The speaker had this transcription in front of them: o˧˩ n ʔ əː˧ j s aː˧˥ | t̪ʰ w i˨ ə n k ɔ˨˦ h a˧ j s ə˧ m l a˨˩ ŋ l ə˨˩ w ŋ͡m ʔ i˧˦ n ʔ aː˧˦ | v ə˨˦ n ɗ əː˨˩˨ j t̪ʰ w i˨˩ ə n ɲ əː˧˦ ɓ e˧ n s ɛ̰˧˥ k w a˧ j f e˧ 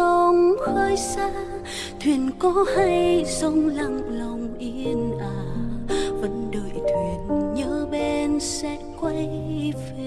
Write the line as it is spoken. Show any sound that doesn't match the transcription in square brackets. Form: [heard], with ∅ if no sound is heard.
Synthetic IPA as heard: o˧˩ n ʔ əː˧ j s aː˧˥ | t̪ʰ w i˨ ə n k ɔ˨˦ h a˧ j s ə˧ [ŋ͡m] l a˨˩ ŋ l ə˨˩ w ŋ͡m ʔ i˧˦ n ʔ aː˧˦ | v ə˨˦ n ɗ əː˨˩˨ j t̪ʰ w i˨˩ ə n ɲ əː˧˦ ɓ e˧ n s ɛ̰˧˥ k w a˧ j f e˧

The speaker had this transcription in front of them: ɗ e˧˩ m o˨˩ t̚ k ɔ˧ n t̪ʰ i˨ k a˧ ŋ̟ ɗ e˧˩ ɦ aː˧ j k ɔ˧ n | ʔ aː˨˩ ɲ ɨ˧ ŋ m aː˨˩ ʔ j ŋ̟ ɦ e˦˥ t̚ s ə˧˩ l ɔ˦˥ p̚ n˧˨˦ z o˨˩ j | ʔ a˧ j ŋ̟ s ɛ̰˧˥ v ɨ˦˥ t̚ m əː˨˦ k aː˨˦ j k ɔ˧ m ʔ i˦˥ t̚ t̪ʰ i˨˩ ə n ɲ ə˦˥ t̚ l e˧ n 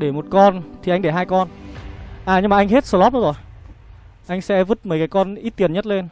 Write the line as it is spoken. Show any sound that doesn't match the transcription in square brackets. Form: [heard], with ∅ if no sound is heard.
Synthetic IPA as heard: ɗ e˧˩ m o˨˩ t̚ k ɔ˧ n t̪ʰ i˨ [ʔ] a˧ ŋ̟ ɗ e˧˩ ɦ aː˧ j k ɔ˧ n | ʔ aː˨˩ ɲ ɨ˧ ŋ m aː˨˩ ʔ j ŋ̟ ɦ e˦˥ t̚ s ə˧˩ l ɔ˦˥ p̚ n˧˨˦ z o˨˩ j | ʔ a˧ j ŋ̟ s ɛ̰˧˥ v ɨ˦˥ t̚ m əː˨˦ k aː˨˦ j k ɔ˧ [n] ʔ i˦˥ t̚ [t̪] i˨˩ ə n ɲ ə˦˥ t̚ l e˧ n

